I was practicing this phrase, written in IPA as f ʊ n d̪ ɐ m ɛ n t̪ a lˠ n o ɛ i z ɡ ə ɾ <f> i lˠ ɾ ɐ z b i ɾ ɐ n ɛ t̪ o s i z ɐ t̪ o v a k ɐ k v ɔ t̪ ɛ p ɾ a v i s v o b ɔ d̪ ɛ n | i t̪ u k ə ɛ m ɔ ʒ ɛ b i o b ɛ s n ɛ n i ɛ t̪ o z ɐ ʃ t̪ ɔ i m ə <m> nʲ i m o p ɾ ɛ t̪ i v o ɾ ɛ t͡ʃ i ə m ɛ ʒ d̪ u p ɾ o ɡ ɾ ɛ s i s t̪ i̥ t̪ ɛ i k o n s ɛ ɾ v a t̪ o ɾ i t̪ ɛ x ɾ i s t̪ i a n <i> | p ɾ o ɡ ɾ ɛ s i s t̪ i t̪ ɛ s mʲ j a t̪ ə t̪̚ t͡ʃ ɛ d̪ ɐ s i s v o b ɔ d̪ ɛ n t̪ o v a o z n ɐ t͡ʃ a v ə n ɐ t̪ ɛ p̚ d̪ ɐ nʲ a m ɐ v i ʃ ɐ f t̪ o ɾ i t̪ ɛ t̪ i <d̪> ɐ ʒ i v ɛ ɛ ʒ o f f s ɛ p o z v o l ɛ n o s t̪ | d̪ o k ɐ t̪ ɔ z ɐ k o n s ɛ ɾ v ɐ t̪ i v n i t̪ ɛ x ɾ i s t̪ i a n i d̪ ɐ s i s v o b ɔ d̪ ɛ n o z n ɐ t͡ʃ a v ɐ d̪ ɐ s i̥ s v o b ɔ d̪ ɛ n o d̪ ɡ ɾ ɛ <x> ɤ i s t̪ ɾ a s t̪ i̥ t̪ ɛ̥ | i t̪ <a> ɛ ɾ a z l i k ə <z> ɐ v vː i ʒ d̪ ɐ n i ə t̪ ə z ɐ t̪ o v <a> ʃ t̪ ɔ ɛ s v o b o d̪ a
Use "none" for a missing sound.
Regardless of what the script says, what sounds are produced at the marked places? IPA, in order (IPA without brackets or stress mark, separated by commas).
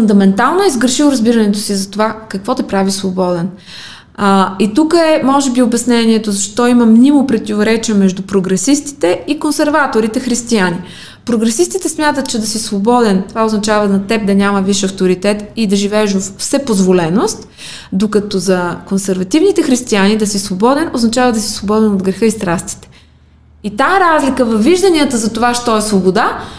ʃ, m, i, d̪, x, a, v, a